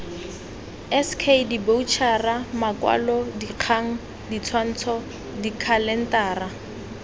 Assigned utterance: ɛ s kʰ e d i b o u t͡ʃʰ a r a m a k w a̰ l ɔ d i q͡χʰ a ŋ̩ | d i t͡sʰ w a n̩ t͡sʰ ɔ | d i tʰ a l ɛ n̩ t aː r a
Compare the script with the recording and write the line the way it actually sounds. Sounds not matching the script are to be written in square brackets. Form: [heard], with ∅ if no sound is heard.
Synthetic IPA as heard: ɛ s kʰ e d i b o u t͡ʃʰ a r a m a k w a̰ l ɔ d i q͡χʰ a ŋ̩ | d i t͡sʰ w a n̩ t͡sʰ ɔ | d i [kʰ] a l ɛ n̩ t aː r a